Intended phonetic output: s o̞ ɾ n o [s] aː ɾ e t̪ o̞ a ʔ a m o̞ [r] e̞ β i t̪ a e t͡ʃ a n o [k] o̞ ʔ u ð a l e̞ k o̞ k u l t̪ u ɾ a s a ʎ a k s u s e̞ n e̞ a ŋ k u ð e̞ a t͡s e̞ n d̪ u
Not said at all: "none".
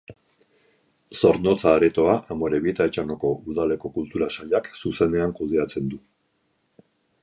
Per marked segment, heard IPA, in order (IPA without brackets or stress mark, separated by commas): t͡s, ɾ, k